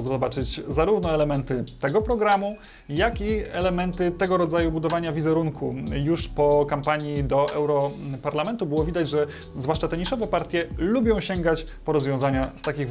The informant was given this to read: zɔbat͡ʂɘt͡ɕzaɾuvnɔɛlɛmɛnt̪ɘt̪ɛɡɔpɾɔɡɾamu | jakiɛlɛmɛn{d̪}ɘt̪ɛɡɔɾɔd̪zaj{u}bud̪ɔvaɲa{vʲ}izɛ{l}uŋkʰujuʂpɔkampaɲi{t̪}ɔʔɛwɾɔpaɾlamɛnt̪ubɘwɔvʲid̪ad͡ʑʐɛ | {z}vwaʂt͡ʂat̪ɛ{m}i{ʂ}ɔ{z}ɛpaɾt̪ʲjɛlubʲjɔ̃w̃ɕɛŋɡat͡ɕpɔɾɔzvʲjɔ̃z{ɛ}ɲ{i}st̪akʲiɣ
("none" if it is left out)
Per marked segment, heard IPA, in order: t̪, u, vʲ, ɾ, d̪, z, ɲ, ʂ, v, a, a

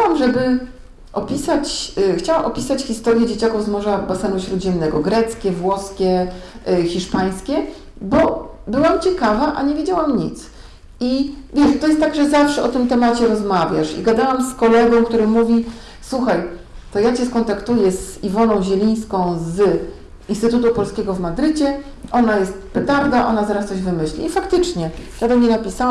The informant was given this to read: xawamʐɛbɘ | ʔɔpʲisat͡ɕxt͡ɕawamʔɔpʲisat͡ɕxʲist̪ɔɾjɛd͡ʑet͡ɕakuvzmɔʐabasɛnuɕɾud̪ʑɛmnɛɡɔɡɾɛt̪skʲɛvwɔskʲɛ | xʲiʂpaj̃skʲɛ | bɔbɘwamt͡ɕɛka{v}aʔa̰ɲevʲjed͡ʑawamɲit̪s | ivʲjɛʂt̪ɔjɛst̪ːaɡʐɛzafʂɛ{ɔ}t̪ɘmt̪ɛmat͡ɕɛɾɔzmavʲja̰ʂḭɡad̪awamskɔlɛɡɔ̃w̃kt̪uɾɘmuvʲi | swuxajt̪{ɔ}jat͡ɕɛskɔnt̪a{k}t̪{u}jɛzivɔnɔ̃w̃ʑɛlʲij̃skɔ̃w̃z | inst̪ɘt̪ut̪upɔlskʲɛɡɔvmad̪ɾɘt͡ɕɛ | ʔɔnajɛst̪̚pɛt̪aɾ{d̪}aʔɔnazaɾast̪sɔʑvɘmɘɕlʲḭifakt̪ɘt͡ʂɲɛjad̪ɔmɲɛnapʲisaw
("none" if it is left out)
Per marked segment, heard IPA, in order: v, ɔ, ɔ, k, u, d̪

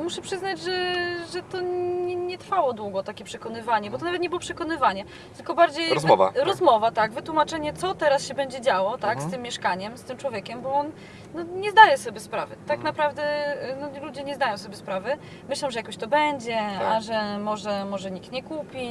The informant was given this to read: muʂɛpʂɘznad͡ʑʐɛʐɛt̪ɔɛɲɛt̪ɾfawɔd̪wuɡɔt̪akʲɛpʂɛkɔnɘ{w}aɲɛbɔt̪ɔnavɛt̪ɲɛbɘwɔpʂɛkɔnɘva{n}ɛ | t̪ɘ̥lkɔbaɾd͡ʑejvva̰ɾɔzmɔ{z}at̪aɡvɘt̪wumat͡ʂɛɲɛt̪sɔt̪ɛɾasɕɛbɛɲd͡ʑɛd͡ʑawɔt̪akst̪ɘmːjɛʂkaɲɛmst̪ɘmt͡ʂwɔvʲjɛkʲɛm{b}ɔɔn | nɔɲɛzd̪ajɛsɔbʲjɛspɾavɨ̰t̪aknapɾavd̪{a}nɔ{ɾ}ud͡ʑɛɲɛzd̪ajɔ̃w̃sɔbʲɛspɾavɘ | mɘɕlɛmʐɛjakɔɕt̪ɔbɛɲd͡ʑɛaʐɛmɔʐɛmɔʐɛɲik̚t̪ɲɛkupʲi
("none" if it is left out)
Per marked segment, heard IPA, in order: v, ɲ, v, b, ɛ, l

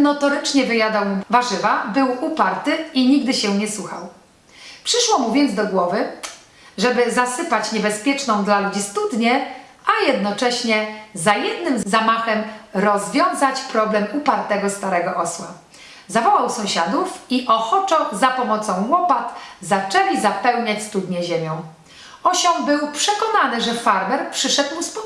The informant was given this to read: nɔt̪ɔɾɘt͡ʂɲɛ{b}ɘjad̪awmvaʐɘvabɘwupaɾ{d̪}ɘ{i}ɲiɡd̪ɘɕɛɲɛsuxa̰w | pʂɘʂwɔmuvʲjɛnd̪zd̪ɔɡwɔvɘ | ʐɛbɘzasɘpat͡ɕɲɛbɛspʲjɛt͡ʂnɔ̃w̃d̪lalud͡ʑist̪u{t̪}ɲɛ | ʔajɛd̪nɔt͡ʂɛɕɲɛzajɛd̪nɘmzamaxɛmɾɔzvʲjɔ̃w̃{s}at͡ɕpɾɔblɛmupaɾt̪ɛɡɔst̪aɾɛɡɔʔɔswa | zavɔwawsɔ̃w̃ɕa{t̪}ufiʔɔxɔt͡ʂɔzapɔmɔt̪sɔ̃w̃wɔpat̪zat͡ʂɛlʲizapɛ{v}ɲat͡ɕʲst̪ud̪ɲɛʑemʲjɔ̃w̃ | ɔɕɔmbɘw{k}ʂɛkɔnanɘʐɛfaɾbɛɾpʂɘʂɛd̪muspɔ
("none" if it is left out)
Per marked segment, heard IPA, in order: v, t̪, i, d̪, z, d̪, w, p

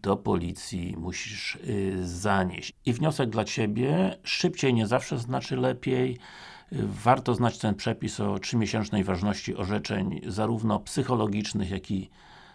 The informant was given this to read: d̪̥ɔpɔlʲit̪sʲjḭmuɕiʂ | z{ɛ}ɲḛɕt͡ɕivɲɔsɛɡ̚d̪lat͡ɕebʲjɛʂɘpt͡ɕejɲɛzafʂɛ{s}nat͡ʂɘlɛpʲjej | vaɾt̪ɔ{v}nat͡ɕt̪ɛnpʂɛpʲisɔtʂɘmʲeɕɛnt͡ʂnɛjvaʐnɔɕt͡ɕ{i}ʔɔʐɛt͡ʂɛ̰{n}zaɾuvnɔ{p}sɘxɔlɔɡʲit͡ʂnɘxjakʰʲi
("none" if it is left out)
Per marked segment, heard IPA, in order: a, z, z, i, ɲ, p

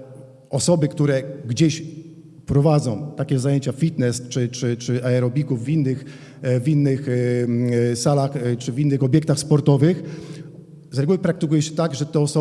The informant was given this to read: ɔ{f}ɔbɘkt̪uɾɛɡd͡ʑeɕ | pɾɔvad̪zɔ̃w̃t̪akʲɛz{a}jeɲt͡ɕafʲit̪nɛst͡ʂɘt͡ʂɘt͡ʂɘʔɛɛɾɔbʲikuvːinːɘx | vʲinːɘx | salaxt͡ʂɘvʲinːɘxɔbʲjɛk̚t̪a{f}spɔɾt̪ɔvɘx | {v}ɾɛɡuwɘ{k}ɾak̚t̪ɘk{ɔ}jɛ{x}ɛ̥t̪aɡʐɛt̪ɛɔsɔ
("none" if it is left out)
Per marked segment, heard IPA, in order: s, a, x, z, p, u, ɕ

